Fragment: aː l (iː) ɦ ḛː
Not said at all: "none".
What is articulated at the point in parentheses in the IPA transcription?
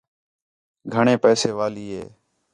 iː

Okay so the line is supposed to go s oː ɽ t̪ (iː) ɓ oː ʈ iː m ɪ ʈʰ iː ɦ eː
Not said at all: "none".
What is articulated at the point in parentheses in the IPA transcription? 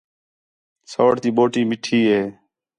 iː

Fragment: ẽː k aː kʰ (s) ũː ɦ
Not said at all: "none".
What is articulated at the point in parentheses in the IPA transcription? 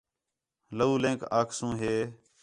s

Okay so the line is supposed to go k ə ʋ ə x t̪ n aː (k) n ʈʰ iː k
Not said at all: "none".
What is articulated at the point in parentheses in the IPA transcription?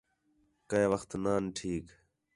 none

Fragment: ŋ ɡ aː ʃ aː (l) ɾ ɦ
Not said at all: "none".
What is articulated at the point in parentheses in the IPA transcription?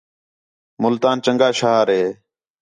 none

